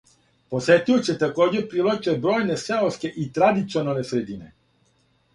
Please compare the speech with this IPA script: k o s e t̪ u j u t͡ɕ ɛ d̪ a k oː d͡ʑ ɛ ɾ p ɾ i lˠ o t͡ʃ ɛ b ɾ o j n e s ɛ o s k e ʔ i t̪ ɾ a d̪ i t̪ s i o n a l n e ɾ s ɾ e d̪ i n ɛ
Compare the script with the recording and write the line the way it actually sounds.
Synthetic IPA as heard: p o s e t̪ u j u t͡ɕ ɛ t̪ a k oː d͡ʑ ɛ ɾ p ɾ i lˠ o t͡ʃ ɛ b ɾ o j n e s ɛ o s k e ʔ i t̪ ɾ a d̪ i t̪ s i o n a l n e s ɾ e d̪ i n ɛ